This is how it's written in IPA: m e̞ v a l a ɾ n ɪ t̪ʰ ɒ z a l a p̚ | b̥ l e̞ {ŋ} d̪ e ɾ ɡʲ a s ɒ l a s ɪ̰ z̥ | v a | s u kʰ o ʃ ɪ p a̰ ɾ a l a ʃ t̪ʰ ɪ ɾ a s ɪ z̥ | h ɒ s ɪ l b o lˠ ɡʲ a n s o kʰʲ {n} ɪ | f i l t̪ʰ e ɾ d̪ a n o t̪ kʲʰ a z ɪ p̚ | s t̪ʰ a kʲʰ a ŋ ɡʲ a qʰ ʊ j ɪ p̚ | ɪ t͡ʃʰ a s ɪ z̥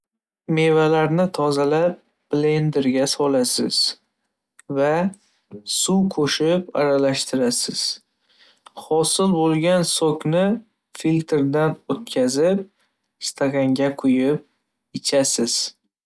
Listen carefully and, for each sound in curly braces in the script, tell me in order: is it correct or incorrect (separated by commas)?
incorrect, correct